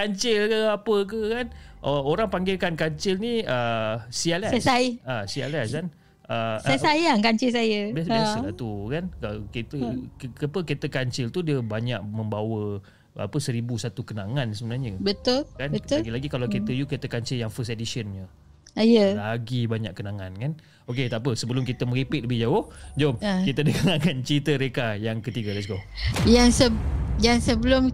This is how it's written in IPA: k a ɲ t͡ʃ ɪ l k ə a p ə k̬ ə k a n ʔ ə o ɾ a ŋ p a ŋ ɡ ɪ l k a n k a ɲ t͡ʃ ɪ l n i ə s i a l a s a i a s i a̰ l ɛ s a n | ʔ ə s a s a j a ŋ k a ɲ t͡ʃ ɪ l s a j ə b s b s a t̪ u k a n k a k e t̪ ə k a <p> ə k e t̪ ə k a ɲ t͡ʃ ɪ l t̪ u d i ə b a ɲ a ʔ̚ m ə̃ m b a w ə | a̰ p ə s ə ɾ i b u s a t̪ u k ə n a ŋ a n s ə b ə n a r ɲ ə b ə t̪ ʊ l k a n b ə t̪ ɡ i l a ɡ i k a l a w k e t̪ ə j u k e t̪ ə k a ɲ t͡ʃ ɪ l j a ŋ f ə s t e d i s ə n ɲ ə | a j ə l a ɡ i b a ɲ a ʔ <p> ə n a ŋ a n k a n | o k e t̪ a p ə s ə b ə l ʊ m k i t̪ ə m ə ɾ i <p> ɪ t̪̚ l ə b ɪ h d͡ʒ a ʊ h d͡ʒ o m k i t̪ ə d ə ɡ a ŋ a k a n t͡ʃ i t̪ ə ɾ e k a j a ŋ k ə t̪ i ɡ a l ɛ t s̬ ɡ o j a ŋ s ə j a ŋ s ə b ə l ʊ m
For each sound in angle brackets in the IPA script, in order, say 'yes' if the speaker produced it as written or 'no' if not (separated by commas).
yes, no, yes